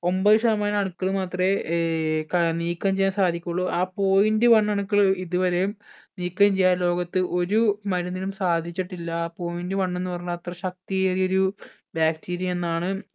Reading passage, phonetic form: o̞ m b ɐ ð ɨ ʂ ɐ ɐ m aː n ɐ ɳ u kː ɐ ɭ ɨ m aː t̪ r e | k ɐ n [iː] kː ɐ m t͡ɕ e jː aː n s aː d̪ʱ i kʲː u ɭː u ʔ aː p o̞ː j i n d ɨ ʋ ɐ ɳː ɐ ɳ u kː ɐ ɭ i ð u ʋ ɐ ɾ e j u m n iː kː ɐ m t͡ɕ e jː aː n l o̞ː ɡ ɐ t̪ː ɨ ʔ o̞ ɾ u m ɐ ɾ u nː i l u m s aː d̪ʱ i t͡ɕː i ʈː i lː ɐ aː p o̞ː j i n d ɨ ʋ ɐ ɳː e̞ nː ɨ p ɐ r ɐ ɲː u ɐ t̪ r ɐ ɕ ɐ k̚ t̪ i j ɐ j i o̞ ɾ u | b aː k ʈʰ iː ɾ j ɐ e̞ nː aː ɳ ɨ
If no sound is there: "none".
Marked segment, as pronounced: iː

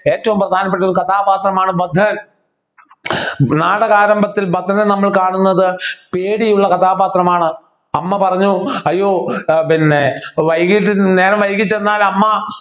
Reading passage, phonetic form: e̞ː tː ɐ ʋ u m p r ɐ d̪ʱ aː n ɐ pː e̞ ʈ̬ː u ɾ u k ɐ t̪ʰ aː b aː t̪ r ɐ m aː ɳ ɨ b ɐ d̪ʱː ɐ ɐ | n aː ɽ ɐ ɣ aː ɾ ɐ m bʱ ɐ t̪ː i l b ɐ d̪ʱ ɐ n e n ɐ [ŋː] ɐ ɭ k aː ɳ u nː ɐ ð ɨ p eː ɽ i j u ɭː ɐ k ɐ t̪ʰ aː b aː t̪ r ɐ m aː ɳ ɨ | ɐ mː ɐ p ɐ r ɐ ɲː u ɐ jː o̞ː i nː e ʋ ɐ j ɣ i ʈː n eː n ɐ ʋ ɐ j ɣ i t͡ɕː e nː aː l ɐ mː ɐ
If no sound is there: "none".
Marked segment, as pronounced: mː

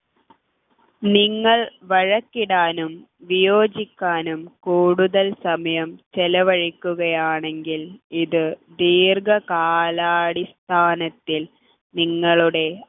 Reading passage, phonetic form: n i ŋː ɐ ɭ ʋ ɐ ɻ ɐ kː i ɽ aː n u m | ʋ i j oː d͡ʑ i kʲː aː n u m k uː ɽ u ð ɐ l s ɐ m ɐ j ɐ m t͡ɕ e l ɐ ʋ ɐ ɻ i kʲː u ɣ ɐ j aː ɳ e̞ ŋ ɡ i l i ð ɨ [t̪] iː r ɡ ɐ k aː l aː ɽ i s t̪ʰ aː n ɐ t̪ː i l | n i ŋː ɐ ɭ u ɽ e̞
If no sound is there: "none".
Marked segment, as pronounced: d̪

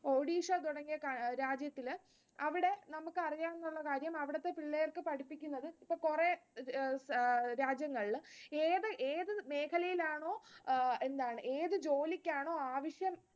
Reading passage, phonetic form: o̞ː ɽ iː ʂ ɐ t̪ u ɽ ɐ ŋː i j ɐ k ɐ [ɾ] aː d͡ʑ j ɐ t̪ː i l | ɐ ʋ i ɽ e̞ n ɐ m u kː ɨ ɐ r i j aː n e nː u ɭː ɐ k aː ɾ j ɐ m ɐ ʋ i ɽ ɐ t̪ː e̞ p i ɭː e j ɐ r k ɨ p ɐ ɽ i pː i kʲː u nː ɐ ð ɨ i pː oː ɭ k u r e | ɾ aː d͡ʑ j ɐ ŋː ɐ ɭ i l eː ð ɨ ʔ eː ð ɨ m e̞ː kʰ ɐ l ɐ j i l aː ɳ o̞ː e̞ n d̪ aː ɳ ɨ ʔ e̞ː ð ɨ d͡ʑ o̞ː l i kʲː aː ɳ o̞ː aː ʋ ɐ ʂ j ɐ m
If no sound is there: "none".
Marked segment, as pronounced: ɾ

